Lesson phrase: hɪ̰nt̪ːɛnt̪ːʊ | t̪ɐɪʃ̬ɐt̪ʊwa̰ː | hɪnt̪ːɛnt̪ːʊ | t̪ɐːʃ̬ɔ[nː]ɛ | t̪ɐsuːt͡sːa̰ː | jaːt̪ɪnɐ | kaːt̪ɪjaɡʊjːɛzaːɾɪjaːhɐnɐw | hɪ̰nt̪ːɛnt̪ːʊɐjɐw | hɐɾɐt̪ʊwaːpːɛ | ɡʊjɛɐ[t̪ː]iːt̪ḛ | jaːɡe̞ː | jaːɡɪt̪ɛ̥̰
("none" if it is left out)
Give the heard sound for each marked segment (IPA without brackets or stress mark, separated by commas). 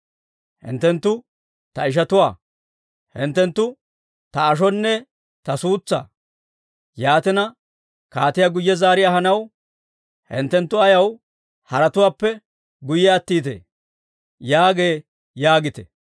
nː, t̪ː